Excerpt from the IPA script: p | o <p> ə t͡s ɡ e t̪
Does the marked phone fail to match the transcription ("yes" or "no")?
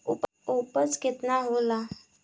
no